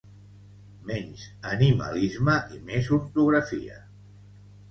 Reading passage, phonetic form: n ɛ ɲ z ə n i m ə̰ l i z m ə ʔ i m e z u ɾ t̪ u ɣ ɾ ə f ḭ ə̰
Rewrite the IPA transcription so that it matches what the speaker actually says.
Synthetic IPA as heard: m ɛ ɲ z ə n i m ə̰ l i z m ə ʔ i m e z u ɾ t̪ u ɣ ɾ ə f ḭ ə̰